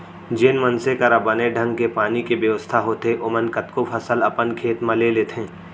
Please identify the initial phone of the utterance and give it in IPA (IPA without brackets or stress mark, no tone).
d͡ʒ